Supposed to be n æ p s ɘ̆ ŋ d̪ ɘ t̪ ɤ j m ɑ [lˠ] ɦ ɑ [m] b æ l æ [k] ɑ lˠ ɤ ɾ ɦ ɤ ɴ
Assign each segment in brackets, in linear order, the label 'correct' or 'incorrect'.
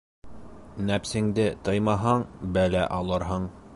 incorrect, incorrect, incorrect

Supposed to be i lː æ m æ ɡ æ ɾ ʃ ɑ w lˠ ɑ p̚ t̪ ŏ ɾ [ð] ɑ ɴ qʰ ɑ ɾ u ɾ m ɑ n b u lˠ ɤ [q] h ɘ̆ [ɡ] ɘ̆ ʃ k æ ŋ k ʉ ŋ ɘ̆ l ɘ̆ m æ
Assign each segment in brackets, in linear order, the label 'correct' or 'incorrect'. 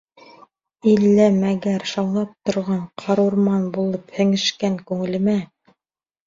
incorrect, incorrect, incorrect

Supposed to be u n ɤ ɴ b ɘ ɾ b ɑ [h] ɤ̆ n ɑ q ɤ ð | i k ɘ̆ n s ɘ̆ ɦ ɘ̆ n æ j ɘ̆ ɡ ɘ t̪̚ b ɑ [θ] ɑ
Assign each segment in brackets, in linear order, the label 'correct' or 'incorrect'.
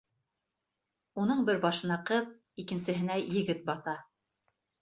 incorrect, correct

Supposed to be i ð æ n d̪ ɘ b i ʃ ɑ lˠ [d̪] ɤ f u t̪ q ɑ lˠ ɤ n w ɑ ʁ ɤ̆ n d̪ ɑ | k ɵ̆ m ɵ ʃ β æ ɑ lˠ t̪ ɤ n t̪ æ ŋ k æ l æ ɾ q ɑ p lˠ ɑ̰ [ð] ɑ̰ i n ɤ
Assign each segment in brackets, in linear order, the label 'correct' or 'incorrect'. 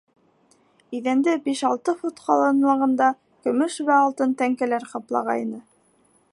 incorrect, incorrect

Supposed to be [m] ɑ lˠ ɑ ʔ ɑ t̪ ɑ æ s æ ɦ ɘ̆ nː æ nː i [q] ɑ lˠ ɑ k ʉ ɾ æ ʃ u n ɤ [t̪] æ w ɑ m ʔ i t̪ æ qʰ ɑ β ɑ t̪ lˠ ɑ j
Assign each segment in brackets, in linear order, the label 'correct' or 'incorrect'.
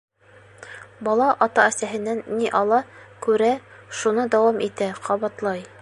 incorrect, incorrect, incorrect

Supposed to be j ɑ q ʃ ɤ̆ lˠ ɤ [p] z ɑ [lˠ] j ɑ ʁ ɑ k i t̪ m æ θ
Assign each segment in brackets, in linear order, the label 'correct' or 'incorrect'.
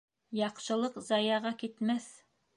incorrect, incorrect

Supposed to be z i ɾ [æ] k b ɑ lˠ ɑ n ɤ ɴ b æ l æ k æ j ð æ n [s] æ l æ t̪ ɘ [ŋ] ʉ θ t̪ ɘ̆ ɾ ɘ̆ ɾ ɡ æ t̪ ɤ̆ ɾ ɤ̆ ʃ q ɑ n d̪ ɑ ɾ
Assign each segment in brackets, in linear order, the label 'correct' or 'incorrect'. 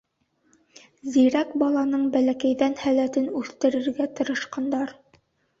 correct, incorrect, incorrect

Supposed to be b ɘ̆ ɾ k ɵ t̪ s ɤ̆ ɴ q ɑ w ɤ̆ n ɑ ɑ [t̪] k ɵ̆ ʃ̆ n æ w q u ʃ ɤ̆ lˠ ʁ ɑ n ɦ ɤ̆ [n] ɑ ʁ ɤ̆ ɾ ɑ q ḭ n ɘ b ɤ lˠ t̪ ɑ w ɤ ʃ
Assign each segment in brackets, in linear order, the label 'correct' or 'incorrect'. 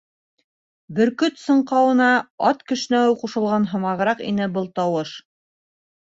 correct, incorrect

